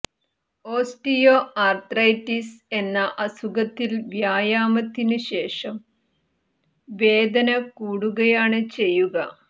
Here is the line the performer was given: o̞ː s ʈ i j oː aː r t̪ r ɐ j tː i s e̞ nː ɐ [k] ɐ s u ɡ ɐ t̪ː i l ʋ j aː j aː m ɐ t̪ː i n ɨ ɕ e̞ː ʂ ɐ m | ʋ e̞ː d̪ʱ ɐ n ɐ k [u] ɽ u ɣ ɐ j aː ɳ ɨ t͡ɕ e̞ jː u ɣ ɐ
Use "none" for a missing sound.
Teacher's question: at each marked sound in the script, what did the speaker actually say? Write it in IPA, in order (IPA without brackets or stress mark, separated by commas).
ʔ, uː